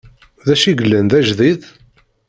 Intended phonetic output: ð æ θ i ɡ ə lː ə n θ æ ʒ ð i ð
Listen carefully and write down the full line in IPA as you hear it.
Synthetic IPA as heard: ð æ ʃ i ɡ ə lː ə n ð æ ʒ ð i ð